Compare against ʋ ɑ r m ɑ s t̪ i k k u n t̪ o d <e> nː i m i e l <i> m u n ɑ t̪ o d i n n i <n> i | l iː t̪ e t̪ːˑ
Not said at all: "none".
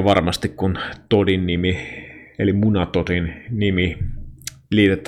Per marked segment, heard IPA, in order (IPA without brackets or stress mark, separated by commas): i, i, m